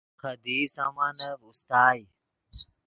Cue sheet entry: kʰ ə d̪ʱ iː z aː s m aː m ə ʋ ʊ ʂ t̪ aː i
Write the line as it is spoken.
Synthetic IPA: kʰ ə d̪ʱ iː s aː m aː n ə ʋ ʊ s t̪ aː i